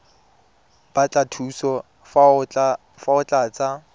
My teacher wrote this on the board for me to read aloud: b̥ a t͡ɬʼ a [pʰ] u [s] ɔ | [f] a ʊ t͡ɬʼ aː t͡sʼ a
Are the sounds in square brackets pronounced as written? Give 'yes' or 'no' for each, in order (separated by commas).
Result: no, yes, yes